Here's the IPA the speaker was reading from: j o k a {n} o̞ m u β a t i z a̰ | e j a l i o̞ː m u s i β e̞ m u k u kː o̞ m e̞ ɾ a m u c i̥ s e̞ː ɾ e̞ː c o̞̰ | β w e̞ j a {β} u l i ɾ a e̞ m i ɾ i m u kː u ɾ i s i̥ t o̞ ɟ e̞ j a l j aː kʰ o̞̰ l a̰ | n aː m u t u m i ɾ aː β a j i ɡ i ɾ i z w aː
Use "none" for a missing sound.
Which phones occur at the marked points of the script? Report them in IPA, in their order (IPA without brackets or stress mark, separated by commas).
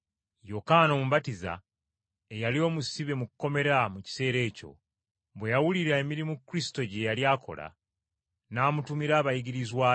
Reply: n, w